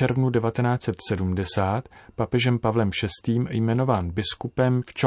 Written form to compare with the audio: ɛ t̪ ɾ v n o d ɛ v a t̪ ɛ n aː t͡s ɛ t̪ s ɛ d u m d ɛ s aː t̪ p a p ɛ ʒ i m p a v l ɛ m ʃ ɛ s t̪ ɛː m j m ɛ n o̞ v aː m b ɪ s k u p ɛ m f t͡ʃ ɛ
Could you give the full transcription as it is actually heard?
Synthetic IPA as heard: ɛ ɾ v n u d ɛ v a t̪ ɛ n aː t͡s ɛ t̪ s ɛ d u m d ɛ s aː t̪ p a p ɛ ʒ ɛ m p a v l ɛ m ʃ ɛ s t̪ iː m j m ɛ n o̞ v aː n b ɪ s k u p ɛ m f t͡ʃ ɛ